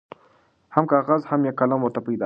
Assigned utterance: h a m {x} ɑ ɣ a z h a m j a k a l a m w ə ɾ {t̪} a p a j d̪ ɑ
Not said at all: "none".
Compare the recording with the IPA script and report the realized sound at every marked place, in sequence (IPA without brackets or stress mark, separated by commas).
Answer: k, t̪